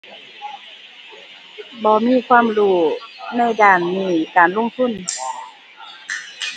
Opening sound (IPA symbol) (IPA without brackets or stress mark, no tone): b